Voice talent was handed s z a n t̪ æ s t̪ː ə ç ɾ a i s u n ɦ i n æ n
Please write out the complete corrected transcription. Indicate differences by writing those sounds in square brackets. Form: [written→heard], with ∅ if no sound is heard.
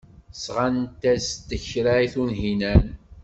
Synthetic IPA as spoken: s [z→ʁ] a n t̪ æ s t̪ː ə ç ɾ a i [s→θ] u n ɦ i n æ n